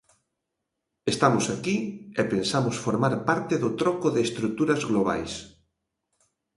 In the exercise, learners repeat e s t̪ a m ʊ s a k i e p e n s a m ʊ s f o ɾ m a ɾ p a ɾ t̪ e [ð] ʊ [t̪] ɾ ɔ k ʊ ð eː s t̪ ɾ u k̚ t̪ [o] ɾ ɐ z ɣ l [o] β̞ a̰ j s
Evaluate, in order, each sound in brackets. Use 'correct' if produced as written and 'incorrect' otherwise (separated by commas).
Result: correct, correct, incorrect, correct